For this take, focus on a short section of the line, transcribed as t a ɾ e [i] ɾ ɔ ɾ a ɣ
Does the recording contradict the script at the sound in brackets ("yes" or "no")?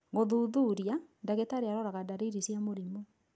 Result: yes